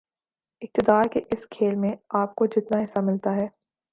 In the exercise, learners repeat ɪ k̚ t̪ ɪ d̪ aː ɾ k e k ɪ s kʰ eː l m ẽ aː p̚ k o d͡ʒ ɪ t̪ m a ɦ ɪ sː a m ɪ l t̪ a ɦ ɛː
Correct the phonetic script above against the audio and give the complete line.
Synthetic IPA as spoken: ɪ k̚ t̪ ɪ d̪ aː ɾ k e ʔ ɪ s kʰ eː l m ẽ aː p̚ k o d͡ʒ ɪ t̪ n a ɦ ɪ sː a m ɪ l t̪ a ɦ ɛː